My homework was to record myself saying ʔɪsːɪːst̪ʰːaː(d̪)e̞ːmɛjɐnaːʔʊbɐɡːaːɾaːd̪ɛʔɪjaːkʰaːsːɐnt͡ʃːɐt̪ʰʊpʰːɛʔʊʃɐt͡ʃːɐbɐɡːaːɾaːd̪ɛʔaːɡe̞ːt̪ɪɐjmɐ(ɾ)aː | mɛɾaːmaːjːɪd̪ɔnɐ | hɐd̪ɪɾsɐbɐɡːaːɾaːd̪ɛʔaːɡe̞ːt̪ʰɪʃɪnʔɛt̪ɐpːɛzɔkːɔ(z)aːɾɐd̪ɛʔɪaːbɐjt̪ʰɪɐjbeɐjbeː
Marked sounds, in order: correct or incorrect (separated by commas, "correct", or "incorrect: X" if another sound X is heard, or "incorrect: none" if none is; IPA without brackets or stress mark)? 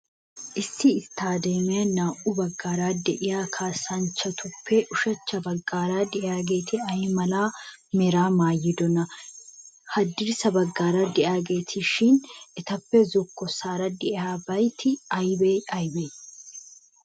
correct, incorrect: l, incorrect: s